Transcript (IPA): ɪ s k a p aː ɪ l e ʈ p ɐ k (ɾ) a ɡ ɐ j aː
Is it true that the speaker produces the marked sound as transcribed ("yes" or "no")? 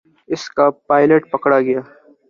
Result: no